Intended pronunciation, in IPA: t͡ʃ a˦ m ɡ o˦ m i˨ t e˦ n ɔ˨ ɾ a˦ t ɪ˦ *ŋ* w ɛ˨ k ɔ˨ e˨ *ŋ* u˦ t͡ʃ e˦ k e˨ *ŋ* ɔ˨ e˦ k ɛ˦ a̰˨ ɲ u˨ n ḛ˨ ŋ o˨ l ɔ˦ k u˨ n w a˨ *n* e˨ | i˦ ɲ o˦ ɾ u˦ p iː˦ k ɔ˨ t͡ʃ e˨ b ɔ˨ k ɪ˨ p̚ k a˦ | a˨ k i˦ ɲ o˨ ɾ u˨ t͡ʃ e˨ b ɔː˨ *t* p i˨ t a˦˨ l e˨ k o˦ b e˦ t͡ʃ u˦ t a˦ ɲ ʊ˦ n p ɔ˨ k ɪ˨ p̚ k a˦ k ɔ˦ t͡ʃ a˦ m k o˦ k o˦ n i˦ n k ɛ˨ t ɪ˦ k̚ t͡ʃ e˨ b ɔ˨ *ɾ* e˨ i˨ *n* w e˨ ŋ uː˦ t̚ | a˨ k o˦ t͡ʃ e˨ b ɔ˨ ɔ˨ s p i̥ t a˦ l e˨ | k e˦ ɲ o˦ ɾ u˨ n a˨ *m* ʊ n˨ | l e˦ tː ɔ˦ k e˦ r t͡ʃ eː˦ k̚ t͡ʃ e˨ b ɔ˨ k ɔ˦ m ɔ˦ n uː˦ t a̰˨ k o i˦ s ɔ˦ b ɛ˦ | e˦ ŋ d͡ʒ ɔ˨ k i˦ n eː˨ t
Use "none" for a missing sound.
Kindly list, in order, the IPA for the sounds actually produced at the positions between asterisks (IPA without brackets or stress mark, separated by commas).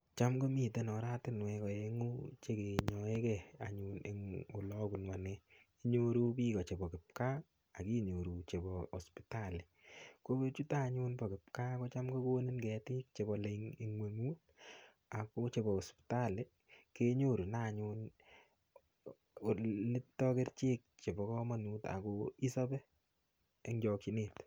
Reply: n, ŋ, ɲ, n, s, l, ŋ, ɲ